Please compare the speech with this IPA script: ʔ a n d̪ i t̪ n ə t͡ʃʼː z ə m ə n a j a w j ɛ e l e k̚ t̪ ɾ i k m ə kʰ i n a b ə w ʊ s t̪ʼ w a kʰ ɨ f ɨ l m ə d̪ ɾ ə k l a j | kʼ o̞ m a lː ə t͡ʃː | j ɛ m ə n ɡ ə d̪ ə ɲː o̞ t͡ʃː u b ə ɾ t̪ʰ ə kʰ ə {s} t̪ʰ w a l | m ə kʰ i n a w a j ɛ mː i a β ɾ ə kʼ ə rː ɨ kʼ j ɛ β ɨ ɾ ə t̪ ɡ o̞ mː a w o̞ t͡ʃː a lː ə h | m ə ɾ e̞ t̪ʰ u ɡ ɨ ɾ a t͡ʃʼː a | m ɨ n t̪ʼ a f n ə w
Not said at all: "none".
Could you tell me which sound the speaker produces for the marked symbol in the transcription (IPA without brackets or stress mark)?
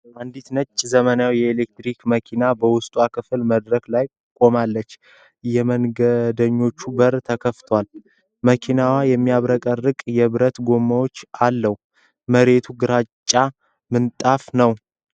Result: f